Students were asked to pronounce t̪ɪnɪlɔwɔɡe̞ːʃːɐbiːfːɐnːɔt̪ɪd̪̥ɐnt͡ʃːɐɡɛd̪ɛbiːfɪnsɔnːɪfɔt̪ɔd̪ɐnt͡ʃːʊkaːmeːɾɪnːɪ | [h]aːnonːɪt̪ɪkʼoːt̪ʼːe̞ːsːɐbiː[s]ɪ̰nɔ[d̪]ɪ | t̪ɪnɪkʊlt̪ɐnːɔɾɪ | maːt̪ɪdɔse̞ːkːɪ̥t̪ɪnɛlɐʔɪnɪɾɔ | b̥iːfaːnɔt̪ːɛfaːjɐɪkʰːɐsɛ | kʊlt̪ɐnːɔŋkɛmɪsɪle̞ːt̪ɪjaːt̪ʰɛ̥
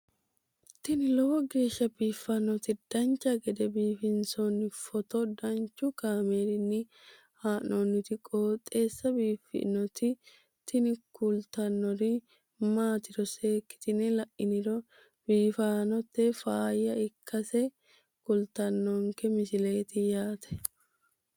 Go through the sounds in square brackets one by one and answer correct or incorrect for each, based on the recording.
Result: correct, incorrect: f, incorrect: t̪

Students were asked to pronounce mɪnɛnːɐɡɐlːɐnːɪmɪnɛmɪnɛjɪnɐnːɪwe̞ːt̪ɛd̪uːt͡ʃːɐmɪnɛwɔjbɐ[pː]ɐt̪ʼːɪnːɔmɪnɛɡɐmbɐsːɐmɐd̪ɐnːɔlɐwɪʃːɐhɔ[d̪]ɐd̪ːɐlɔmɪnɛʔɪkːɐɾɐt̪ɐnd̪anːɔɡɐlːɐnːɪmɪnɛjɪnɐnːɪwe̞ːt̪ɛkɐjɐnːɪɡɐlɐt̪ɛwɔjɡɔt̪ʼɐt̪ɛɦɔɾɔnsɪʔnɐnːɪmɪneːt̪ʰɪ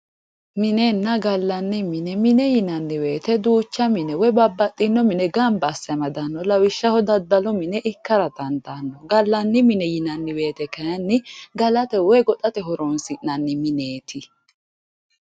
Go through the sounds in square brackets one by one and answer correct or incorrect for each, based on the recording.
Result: incorrect: bː, correct

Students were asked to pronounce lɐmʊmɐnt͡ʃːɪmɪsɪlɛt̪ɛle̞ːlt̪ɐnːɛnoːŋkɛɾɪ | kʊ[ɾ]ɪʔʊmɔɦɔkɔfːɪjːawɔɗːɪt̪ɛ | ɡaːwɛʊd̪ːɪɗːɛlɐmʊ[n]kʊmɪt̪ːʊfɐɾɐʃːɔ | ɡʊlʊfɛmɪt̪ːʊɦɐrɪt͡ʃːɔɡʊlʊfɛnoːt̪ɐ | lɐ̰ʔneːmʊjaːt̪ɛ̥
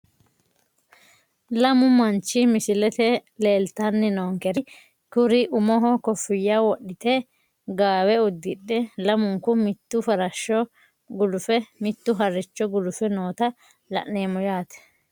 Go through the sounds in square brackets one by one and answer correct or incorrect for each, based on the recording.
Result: correct, incorrect: ŋ

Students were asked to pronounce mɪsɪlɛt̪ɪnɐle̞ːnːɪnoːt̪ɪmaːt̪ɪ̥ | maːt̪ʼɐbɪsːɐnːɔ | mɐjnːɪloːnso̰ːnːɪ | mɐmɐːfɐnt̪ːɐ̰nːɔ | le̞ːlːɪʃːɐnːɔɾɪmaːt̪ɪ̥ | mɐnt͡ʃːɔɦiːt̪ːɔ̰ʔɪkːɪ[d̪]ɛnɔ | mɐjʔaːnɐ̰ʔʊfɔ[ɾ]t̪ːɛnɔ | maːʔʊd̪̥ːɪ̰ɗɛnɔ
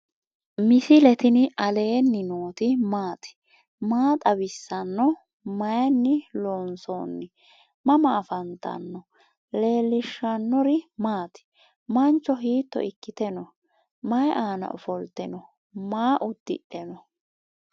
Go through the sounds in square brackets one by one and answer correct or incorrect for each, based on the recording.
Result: incorrect: t̪, incorrect: l

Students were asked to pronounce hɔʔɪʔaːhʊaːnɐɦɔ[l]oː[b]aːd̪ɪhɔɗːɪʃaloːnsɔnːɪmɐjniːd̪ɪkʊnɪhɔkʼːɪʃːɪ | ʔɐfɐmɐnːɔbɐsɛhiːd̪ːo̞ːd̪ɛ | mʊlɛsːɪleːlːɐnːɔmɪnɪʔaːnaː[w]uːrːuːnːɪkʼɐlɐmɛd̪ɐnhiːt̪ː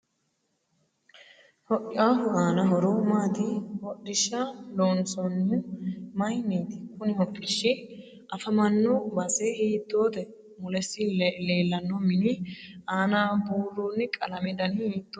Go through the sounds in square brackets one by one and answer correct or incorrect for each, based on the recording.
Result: incorrect: ɾ, incorrect: m, incorrect: b

